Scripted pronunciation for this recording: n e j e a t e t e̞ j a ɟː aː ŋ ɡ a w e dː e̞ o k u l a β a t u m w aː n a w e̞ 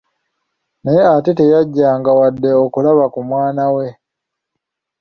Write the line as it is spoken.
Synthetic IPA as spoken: n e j e a t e t e̞ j a ɟː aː ŋ ɡ a w a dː e̞ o k u l a β a k u m w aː n a w e̞